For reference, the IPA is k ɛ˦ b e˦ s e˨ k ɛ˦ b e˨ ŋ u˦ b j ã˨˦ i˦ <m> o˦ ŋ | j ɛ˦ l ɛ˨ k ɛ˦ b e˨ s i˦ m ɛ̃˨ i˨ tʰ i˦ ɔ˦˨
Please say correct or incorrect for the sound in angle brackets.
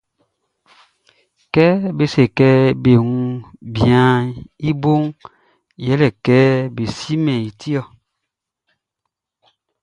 incorrect